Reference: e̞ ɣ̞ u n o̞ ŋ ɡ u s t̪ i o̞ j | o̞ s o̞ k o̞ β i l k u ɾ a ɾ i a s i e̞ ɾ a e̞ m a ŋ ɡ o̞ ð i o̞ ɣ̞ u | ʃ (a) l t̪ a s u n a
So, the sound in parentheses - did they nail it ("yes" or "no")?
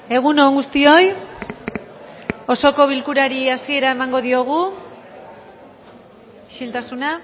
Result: no